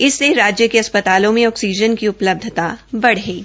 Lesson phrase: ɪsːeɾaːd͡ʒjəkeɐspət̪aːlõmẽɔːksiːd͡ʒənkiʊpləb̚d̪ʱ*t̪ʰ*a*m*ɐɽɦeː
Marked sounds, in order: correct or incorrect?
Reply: incorrect: t̪, incorrect: b

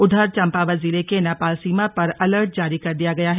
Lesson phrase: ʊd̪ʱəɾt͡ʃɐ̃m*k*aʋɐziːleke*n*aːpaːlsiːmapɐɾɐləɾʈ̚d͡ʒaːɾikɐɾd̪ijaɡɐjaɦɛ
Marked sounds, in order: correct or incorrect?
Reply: incorrect: p, correct

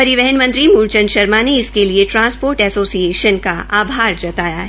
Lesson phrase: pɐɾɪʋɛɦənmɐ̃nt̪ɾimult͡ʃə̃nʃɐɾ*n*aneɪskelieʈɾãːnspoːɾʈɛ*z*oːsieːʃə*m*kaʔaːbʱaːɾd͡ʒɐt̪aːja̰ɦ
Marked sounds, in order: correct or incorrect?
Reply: incorrect: m, incorrect: s, incorrect: n

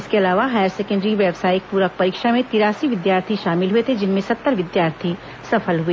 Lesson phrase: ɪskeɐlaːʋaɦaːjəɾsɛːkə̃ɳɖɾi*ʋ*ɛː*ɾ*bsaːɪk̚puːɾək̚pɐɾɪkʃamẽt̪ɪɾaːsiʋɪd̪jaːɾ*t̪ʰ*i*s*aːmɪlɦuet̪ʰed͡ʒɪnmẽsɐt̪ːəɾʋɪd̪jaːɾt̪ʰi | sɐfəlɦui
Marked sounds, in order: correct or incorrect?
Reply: correct, incorrect: none, correct, incorrect: ʃ

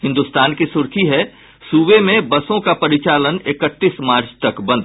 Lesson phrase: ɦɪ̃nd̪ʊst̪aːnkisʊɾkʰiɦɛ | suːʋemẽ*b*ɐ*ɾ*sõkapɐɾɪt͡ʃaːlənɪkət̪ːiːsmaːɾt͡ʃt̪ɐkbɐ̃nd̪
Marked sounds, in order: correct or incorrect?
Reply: correct, incorrect: none

